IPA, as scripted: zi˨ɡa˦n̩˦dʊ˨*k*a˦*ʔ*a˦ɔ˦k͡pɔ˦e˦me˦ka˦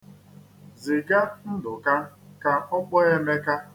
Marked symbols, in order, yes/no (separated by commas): yes, no